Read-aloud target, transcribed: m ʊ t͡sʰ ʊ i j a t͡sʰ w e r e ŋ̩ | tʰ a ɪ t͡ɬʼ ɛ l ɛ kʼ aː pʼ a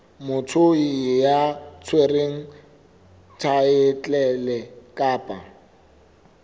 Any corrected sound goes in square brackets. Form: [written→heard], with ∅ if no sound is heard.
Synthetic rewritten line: m ʊ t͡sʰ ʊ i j a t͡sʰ w e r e ŋ̩ | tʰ a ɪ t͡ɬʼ ɛ l ɛ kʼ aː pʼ a